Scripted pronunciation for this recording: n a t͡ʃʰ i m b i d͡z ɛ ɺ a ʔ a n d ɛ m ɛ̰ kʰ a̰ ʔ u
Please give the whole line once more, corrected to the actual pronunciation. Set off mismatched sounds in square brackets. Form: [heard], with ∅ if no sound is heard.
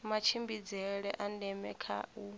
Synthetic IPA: [m] a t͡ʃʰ i m b i d͡z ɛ ɺ [ɛ] ʔ a n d ɛ m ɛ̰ kʰ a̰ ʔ u